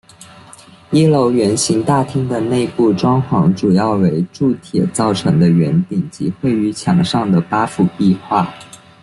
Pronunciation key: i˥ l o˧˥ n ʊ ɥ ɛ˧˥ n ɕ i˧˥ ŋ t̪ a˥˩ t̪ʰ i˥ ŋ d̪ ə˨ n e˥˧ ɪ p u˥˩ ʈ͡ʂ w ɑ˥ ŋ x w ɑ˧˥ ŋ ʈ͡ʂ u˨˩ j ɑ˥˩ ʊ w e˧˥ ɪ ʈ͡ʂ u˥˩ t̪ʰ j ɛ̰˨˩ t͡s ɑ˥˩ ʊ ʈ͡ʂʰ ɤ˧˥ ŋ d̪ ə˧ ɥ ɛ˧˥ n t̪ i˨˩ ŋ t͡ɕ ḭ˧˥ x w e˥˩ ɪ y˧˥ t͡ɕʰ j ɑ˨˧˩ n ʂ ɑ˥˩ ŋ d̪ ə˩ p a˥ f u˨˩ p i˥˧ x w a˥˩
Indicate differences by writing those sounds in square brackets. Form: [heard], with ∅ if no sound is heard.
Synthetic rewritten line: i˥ l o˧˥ [∅] ʊ ɥ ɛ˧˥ n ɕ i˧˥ ŋ t̪ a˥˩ t̪ʰ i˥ ŋ d̪ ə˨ n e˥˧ ɪ p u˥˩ ʈ͡ʂ w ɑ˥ ŋ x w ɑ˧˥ ŋ ʈ͡ʂ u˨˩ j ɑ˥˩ ʊ w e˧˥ ɪ ʈ͡ʂ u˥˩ t̪ʰ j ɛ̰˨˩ t͡s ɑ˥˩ ʊ ʈ͡ʂʰ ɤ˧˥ ŋ d̪ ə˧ ɥ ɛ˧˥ n t̪ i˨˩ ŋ t͡ɕ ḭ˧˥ x w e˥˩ ɪ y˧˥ t͡ɕʰ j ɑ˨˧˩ [ŋ] ʂ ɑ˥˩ ŋ d̪ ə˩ p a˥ f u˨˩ p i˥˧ x w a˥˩